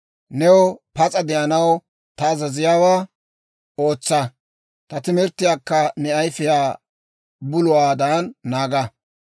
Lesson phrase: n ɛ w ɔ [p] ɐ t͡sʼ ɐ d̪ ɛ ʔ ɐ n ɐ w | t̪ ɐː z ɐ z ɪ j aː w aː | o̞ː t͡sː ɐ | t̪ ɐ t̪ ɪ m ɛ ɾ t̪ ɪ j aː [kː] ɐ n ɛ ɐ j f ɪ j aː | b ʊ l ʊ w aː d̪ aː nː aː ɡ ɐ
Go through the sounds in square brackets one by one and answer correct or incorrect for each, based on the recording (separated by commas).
correct, correct